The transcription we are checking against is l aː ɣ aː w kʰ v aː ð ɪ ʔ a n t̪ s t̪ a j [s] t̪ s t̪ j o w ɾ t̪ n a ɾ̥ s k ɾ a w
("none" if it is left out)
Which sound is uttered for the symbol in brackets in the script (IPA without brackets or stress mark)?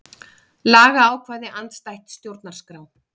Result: h